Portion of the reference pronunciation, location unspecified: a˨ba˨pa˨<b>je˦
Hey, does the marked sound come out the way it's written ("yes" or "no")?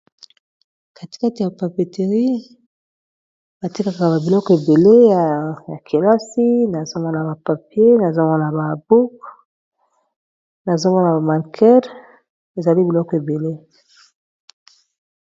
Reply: no